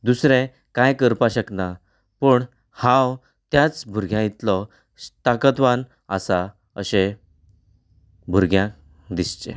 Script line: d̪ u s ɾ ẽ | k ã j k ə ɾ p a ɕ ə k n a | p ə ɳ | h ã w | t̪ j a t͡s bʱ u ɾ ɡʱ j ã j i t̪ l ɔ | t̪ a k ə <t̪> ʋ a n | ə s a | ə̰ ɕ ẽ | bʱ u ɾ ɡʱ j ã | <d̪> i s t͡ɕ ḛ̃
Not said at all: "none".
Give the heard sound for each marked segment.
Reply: t̪, d̪

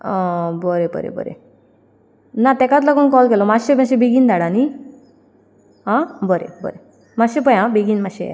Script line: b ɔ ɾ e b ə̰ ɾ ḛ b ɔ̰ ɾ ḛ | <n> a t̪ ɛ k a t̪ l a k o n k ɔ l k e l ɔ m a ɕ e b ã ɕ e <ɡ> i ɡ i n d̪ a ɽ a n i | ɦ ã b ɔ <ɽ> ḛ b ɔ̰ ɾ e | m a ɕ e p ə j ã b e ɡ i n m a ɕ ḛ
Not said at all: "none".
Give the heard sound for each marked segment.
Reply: n, b, ɾ

